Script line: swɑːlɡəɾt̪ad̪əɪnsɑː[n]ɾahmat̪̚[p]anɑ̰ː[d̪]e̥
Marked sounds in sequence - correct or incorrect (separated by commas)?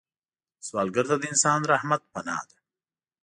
correct, correct, correct